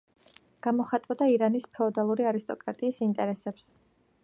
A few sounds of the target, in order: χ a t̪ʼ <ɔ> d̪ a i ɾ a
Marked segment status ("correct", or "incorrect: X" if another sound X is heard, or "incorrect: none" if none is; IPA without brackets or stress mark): correct